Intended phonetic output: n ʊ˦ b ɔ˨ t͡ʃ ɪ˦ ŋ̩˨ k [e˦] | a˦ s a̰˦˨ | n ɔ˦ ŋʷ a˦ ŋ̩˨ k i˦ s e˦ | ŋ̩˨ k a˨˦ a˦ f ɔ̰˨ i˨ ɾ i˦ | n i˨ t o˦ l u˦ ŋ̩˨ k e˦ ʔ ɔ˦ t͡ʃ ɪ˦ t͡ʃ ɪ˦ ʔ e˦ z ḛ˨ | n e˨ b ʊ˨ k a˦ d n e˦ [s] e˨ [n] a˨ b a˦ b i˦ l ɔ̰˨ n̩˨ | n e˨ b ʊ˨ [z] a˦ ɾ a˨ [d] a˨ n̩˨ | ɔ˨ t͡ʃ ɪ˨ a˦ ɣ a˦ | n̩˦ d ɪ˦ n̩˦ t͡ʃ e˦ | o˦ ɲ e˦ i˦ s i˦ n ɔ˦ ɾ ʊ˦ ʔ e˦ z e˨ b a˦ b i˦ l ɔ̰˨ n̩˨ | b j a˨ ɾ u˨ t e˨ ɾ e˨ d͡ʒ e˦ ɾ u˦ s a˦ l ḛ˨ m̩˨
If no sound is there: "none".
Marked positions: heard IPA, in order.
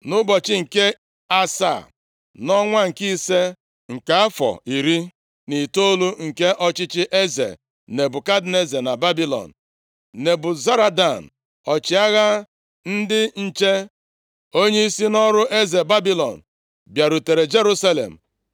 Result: e˦, z, n, z, d

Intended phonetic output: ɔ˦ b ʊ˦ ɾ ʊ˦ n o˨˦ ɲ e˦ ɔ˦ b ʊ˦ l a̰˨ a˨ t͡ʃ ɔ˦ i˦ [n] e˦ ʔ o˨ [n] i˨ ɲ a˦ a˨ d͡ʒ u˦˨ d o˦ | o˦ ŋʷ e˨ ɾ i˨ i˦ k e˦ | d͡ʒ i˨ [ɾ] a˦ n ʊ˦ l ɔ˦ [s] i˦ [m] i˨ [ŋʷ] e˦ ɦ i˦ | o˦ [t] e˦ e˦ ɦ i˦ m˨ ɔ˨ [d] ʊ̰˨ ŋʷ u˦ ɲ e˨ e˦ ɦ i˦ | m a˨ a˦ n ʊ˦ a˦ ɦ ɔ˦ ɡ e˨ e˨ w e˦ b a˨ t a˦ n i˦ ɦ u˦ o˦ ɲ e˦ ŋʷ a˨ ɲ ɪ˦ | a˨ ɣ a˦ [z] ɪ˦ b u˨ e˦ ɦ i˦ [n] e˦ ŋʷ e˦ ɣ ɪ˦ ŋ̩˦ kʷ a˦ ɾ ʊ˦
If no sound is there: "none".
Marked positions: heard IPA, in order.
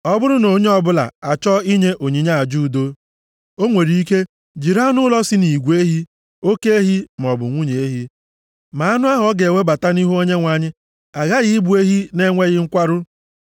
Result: ɲ, ɲ, ɾ, s, n, ɡʷ, k, b, ɣ, n

